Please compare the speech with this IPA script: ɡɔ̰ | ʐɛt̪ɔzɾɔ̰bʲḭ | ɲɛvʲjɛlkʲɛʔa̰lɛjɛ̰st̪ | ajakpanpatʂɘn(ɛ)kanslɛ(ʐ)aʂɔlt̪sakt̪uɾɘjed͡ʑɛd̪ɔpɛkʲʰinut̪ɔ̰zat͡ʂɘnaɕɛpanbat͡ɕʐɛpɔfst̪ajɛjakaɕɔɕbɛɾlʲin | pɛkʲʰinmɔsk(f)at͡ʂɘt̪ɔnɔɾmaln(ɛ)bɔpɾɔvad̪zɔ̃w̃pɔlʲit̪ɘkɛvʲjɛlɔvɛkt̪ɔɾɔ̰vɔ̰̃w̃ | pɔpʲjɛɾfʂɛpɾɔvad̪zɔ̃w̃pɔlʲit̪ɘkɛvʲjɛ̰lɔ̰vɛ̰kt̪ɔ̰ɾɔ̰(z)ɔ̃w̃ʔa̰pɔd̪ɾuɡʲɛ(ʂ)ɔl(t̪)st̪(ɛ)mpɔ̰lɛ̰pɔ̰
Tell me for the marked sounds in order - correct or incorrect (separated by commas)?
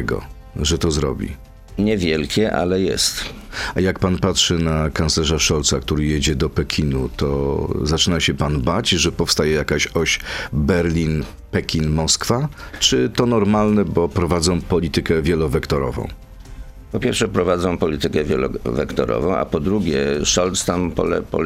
incorrect, correct, correct, correct, incorrect, correct, correct, incorrect